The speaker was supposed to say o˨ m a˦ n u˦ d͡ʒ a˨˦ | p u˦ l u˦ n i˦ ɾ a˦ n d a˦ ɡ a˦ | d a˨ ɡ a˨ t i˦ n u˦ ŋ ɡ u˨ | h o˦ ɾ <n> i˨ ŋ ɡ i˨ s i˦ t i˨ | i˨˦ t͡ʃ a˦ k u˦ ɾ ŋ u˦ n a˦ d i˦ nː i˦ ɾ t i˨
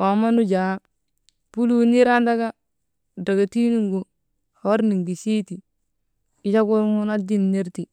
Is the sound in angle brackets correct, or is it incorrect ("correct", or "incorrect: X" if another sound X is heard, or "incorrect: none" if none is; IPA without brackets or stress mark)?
correct